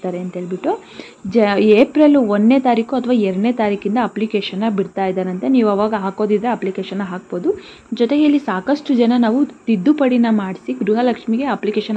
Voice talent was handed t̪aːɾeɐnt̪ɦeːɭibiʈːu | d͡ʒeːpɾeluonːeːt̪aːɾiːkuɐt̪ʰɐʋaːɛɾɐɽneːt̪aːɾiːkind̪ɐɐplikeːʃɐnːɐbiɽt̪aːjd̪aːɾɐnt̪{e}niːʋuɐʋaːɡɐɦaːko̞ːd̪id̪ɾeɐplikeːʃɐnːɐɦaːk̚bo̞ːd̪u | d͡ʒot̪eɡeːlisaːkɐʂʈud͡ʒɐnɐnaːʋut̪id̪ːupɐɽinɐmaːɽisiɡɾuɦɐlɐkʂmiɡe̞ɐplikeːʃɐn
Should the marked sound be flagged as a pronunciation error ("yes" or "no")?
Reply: no